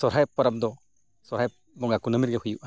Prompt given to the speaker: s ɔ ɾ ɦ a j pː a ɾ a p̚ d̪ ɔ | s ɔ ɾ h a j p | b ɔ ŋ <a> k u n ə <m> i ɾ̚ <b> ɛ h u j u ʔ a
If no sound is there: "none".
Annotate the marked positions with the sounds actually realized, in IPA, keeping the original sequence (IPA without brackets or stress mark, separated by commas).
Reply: a, m, ɡ